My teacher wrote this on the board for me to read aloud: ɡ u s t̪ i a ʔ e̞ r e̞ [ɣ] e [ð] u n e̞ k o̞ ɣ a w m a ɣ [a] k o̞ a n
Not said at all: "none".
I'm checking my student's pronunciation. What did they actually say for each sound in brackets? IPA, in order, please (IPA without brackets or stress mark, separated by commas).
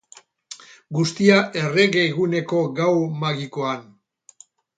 ɣ, ɣ, i